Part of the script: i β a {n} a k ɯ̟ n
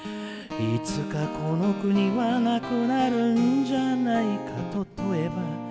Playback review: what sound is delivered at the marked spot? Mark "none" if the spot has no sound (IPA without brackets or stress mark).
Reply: n